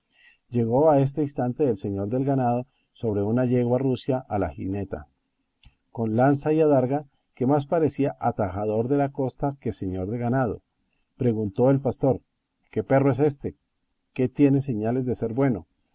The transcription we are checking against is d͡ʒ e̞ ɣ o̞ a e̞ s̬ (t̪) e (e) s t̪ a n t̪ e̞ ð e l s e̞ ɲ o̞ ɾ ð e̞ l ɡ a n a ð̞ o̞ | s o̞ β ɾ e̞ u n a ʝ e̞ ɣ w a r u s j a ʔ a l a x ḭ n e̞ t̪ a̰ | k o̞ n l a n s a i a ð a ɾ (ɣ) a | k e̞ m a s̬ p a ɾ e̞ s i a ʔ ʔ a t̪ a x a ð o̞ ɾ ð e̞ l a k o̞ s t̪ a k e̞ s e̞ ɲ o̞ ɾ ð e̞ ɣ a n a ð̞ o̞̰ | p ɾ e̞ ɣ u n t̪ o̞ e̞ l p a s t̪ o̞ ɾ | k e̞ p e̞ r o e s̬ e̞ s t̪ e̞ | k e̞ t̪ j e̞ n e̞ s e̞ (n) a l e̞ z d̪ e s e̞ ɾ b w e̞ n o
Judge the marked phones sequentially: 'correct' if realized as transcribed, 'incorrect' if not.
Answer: correct, incorrect: i, correct, incorrect: ɲ

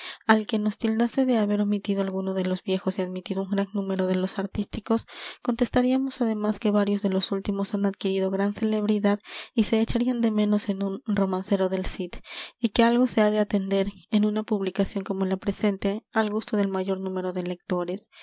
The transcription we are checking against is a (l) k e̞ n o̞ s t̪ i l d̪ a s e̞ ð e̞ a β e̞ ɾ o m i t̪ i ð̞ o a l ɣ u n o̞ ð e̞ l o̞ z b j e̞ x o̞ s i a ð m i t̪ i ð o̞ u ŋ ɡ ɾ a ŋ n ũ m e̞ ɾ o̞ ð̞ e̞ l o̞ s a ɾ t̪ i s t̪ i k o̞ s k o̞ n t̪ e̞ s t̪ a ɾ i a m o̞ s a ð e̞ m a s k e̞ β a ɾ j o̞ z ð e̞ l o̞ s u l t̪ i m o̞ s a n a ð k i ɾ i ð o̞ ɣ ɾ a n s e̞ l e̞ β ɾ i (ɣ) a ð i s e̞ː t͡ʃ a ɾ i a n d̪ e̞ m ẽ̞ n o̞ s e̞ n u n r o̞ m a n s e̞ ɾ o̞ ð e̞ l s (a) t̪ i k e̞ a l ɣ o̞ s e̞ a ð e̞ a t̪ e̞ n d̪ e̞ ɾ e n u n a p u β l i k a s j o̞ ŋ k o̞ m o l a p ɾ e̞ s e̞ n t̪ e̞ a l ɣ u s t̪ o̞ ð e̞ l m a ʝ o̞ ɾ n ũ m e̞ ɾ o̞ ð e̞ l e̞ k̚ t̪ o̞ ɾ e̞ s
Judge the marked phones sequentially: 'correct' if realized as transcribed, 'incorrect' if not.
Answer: correct, incorrect: ð, incorrect: i

